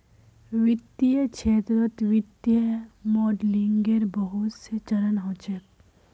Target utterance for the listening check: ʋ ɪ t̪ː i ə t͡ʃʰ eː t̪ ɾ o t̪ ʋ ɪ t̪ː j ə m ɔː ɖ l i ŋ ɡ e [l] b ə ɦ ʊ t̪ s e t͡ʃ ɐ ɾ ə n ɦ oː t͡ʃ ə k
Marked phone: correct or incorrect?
incorrect: ɾ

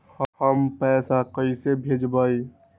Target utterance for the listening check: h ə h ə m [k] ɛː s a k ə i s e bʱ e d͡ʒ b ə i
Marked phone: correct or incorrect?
incorrect: p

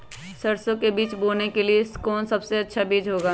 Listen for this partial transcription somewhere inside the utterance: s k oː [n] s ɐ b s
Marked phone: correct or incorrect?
correct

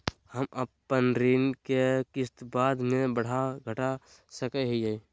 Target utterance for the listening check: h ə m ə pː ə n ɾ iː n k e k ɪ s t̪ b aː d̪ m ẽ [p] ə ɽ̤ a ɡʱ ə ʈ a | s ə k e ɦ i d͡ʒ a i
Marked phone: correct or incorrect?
incorrect: b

